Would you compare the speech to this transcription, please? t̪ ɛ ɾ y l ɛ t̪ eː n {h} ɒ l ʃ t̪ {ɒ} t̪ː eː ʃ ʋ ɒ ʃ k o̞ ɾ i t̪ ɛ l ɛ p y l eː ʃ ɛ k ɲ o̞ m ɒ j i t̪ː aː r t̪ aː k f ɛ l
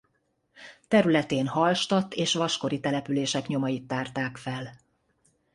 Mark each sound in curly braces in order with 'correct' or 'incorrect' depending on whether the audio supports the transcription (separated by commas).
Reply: correct, correct